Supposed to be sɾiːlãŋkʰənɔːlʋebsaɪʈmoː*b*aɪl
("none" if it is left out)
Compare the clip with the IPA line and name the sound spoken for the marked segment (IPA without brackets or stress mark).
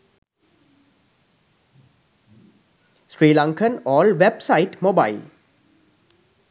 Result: b